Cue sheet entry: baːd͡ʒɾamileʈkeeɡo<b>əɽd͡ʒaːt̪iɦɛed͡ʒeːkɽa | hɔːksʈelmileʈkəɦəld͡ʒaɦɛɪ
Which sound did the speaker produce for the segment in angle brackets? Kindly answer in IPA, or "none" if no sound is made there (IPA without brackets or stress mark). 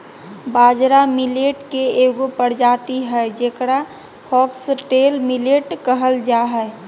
p